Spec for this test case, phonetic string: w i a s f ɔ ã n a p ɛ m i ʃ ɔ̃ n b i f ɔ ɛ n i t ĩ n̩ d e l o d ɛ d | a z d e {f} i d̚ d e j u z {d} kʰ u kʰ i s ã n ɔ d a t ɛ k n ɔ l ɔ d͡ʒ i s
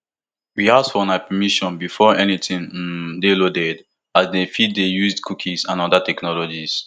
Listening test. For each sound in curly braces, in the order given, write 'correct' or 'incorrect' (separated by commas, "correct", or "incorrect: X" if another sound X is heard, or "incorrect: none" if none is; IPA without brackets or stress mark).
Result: correct, correct